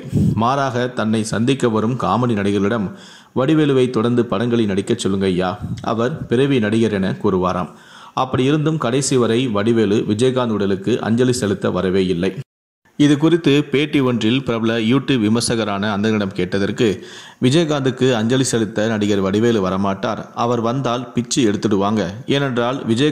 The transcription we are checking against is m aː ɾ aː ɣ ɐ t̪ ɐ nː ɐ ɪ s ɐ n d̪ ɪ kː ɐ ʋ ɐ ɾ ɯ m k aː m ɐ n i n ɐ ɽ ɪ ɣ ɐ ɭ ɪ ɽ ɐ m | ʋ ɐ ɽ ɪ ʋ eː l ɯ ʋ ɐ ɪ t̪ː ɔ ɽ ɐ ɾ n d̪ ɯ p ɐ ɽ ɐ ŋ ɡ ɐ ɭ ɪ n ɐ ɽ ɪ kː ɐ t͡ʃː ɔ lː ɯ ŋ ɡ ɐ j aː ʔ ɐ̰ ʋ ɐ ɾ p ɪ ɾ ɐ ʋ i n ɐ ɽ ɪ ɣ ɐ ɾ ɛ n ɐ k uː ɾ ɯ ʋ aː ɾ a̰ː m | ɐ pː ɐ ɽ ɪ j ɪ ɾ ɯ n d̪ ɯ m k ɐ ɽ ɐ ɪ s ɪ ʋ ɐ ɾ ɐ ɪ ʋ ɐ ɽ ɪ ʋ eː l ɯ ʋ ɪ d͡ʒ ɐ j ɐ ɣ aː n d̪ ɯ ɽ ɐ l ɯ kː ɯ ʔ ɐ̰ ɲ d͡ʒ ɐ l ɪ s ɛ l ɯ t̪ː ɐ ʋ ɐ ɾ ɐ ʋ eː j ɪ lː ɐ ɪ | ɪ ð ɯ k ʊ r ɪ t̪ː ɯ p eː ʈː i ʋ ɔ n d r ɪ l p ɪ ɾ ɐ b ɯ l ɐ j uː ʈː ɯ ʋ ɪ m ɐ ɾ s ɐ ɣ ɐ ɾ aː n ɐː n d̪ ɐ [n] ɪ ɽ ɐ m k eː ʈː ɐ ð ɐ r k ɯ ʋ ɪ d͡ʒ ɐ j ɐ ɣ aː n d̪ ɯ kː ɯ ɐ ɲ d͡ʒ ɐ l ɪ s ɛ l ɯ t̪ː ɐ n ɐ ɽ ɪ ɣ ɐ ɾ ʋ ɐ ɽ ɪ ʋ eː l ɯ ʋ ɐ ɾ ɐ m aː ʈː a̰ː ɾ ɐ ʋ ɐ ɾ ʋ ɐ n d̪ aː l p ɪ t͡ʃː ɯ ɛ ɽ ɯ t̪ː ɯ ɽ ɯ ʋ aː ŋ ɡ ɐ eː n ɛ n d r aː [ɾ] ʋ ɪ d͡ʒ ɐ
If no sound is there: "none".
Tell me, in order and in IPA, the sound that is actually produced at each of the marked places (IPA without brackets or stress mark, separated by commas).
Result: n, l